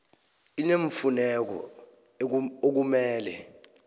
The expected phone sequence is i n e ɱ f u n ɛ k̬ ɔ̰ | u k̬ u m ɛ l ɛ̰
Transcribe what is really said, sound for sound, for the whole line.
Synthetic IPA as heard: i n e ɱ f u n ɛ k̬ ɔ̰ | o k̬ u m ɛː l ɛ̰